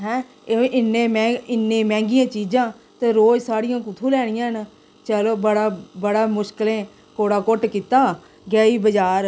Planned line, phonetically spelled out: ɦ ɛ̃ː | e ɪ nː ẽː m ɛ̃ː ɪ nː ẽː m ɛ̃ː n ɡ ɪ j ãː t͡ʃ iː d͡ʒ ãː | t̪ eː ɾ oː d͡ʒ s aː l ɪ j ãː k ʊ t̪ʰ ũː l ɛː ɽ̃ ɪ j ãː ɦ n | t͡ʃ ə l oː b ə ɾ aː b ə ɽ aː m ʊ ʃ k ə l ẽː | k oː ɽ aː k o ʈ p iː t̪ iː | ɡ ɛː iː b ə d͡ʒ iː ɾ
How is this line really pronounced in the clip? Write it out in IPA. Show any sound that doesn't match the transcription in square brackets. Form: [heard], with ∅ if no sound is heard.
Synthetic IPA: ɦ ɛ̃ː | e ɪ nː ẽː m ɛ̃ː ɪ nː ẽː m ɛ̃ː [ŋ] ɡ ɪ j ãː t͡ʃ iː d͡ʒ ãː | t̪ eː ɾ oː d͡ʒ s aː [ɽ] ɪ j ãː k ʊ t̪ʰ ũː l ɛː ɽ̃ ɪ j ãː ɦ n | t͡ʃ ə l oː b ə [ɽ] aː b ə ɽ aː m ʊ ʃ k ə l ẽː | k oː ɽ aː k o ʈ [k] iː t̪ [aː] | ɡ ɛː iː b ə d͡ʒ [aː] ɾ